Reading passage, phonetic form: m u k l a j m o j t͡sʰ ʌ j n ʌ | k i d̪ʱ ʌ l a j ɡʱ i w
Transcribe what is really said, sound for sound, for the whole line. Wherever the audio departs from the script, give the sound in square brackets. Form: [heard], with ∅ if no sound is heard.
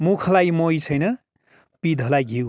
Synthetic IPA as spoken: m u [kʰ] l a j m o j t͡sʰ ʌ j n ʌ | [p] i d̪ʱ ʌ l a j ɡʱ i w